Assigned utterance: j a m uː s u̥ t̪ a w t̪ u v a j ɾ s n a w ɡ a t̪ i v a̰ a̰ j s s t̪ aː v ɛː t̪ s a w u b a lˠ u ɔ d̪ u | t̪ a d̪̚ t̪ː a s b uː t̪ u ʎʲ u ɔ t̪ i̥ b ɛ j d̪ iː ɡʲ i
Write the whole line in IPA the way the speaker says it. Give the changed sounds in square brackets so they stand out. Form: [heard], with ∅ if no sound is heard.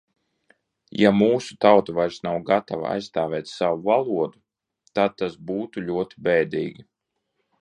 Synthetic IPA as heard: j a m uː s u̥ t̪ a w t̪ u v a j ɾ s n a w ɡ a t̪ [a] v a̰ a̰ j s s t̪ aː v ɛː t̪ s a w u [v] a lˠ u ɔ d̪ u | t̪ a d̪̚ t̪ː a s b uː t̪ u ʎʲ u ɔ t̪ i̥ b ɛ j d̪ iː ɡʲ i